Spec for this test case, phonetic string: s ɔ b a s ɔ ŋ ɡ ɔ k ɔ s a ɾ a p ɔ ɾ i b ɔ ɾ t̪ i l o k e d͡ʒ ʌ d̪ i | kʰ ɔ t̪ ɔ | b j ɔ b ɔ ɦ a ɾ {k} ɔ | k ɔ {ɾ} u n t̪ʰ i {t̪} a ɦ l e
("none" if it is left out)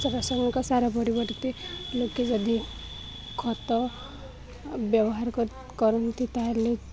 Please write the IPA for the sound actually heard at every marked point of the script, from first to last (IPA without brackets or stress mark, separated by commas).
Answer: k, ɾ, t̪